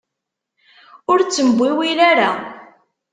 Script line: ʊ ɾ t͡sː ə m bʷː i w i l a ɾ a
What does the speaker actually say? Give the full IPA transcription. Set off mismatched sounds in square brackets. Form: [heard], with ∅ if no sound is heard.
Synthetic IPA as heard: ʊ ɾ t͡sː ə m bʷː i w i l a ɾ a

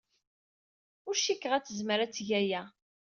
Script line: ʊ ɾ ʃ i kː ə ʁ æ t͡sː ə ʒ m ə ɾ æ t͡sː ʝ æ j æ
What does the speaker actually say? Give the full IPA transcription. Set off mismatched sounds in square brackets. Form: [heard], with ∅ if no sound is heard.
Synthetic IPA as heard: ʊ ɾ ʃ i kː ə ʁ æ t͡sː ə [z] m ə ɾ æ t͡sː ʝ æ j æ

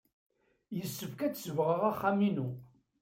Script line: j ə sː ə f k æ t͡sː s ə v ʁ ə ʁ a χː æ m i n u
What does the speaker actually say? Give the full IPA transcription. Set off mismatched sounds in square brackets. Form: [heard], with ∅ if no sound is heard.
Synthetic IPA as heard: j ə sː ə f k æ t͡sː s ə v ʁ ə ʁ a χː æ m i n u

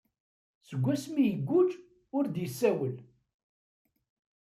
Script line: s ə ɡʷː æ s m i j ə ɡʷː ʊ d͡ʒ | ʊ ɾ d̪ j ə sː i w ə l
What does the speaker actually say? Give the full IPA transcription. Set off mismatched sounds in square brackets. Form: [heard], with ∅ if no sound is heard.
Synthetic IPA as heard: s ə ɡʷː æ s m i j ə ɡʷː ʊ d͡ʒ | ʊ ɾ d̪ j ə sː [æ] w ə l

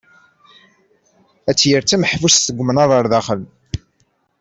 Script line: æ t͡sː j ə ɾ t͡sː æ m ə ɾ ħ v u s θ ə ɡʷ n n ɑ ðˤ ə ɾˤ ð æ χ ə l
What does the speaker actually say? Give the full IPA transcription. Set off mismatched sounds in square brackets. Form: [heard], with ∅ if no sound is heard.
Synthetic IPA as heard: æ t͡sː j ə ɾ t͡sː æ m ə [∅] ħ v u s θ ə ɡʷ [m] n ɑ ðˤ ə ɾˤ ð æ χ ə l

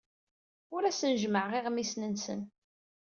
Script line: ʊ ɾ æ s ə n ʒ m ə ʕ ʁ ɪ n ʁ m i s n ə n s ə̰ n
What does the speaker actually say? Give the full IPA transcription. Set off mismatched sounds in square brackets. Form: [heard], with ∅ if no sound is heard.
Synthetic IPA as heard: ʊ ɾ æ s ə n ʒ m ə ʕ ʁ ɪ [∅] ʁ m i s n ə n s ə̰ n

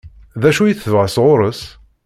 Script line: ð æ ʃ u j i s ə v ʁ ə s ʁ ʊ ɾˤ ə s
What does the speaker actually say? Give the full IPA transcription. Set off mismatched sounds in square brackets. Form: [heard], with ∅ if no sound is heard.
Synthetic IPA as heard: ð æ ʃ u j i [θ] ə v ʁ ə s ʁ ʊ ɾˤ ə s

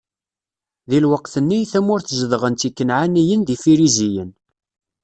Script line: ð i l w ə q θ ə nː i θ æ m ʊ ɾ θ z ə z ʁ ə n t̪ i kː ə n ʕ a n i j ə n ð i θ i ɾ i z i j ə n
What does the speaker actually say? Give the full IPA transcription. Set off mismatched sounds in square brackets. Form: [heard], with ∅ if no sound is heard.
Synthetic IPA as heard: ð i l w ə q θ ə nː i θ æ m ʊ ɾ θ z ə [ð] ʁ ə n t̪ i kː ə n ʕ a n i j ə n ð i [f] i ɾ i z i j ə n

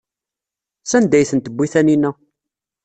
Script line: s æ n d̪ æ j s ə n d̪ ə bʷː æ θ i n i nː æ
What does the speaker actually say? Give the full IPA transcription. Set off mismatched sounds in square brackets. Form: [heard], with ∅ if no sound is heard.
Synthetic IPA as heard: s æ n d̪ æ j [θ] ə n [t̪] ə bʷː [i] θ [æ] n i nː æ

